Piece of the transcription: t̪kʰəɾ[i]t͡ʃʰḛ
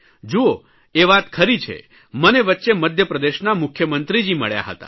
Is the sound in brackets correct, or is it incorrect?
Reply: correct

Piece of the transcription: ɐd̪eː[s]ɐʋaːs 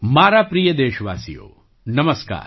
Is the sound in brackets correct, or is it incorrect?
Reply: incorrect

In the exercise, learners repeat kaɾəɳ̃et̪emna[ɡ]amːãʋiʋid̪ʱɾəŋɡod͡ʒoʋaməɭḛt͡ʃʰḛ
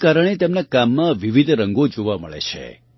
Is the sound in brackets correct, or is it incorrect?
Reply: incorrect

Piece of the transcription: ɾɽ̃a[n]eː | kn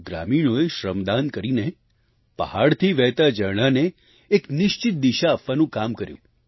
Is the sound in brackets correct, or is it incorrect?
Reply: correct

